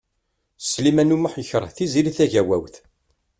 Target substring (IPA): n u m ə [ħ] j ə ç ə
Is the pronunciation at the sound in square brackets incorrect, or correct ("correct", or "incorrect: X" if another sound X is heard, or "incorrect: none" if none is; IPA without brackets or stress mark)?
correct